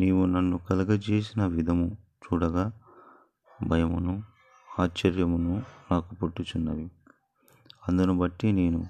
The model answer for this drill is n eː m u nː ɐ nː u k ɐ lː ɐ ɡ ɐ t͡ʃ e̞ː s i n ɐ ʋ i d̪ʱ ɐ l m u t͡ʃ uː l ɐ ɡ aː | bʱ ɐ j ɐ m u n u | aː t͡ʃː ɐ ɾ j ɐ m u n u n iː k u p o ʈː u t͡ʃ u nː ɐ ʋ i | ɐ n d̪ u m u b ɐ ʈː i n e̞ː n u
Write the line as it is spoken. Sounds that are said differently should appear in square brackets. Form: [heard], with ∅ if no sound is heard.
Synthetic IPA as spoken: n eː m u [n] ɐ nː u k ɐ [l] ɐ ɡ ɐ t͡ʃ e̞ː s i n ɐ ʋ i d̪ʱ ɐ [∅] m u t͡ʃ uː [ɽ] ɐ ɡ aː | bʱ ɐ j ɐ m u n u | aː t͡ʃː ɐ ɾ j ɐ m u n u n [aː] k u p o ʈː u t͡ʃ u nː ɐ ʋ i | ɐ n d̪ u [n] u b ɐ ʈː i n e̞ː n u